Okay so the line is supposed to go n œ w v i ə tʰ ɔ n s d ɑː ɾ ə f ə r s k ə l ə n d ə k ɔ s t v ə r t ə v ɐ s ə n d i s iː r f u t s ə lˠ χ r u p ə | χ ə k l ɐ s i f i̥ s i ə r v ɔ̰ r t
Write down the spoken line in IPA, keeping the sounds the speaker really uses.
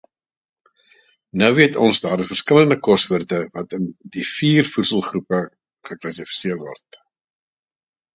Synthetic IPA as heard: n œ w v i ə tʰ ɔ n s d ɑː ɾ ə f ə r s k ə l ə n d ə k ɔ s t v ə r t ə v ɐ t ə n d i f iː r f u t s ə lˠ χ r u p ə | χ ə k l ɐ s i f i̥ s i ə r v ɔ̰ r t